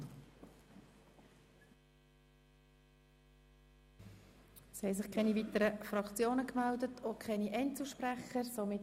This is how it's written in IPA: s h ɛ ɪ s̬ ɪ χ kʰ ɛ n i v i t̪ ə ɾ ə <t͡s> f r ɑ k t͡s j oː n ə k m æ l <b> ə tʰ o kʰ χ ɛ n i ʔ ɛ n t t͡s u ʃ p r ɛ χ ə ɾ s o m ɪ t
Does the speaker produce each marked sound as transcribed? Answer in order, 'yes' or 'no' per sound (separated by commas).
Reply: no, no